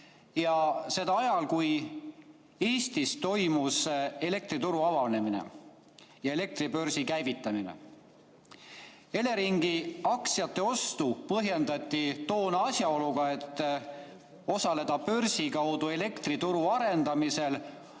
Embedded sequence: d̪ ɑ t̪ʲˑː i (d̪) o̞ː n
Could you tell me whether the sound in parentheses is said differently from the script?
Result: yes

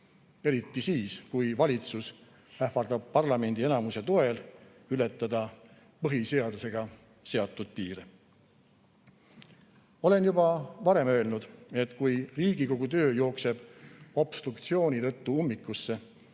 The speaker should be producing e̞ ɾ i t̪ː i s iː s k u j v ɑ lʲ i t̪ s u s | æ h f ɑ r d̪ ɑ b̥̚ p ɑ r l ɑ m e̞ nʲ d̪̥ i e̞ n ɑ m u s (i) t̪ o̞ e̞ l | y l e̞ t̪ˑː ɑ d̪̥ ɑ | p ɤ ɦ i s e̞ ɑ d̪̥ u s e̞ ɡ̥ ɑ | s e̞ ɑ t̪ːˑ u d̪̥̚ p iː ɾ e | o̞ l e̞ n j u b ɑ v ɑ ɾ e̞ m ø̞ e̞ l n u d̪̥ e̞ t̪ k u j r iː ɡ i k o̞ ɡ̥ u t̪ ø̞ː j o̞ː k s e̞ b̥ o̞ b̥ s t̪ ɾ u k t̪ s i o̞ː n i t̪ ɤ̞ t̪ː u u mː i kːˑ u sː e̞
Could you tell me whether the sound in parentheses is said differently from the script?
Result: yes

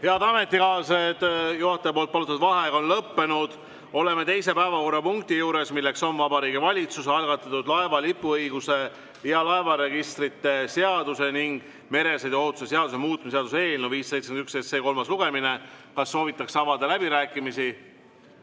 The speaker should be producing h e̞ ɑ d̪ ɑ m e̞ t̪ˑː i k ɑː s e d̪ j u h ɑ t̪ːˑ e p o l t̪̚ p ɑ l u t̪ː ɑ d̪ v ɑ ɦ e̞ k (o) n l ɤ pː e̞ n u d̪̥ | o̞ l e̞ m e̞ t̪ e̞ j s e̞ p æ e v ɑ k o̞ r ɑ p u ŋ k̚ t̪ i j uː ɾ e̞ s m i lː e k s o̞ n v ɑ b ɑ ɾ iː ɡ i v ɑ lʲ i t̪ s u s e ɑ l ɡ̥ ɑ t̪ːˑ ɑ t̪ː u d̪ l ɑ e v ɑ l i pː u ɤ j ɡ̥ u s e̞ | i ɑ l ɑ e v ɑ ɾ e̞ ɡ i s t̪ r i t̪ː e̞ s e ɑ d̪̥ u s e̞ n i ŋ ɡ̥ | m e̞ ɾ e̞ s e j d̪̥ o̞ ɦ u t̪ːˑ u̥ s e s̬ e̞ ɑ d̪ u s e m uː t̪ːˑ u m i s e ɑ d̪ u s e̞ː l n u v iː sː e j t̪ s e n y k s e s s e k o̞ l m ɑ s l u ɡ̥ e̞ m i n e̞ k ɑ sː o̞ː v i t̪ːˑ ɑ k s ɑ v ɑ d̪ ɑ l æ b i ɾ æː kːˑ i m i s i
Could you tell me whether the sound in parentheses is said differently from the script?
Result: no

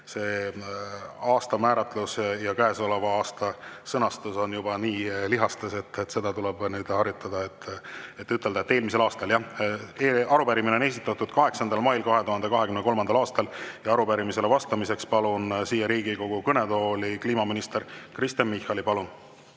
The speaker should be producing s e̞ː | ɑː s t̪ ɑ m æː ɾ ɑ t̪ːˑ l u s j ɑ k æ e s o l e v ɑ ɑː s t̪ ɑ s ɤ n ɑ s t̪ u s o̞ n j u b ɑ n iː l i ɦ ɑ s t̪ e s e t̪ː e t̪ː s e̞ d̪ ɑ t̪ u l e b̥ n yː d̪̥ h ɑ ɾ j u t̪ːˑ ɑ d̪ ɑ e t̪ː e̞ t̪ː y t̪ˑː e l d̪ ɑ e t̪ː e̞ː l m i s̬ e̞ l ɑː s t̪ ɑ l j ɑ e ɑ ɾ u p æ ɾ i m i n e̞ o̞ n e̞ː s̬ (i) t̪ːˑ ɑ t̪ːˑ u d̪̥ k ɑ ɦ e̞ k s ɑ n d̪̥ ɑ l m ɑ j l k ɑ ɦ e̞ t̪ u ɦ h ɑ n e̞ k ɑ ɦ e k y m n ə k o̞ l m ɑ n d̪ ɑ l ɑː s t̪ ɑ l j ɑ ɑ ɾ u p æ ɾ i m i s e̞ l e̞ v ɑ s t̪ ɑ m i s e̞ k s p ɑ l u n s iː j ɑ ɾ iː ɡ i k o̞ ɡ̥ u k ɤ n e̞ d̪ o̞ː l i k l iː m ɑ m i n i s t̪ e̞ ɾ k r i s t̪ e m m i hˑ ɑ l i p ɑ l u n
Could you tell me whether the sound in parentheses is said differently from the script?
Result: no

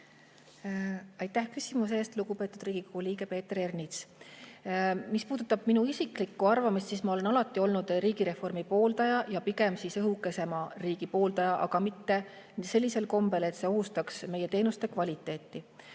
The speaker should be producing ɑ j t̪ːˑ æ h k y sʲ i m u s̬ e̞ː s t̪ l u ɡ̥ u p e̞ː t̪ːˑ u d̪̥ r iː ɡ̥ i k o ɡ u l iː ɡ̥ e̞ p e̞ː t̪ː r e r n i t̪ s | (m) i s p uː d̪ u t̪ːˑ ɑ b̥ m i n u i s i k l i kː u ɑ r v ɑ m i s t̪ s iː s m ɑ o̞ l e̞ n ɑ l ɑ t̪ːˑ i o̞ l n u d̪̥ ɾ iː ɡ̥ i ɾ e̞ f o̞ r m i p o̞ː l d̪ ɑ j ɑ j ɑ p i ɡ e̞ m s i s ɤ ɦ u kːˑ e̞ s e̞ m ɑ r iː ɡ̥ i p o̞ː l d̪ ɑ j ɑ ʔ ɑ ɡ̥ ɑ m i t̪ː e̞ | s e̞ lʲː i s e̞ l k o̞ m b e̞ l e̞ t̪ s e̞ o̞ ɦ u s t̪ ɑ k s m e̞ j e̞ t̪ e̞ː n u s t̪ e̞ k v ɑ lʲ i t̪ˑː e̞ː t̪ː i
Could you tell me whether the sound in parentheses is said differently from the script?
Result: no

